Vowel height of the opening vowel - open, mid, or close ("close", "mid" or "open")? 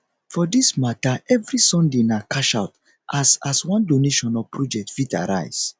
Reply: mid